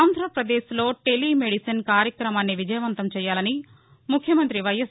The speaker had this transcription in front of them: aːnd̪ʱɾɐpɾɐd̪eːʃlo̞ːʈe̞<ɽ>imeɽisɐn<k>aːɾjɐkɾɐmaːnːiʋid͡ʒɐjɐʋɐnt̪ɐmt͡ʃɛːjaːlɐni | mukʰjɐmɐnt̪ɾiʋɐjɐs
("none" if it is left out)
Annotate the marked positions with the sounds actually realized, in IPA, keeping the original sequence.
l, k

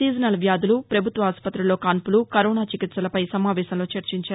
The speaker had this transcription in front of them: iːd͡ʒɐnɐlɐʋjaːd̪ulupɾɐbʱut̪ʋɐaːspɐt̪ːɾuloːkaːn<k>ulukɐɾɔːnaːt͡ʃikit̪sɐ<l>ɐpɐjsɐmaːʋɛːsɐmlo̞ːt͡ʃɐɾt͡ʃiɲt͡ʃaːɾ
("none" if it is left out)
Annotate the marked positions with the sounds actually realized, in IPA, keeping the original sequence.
p, l

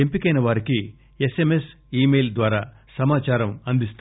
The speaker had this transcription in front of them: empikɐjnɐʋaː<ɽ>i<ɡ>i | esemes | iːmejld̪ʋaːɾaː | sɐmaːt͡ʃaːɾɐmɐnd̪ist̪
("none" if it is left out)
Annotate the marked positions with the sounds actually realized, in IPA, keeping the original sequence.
ɾ, k

